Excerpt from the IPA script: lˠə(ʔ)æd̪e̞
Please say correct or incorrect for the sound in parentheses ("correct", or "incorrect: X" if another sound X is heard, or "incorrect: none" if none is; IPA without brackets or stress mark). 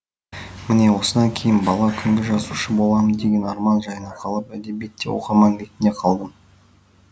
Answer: incorrect: p